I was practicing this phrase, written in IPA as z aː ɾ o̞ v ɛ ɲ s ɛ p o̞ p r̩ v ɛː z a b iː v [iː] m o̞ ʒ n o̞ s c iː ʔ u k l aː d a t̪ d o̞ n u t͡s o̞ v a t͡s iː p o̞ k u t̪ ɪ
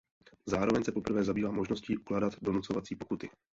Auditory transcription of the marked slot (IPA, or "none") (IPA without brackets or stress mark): aː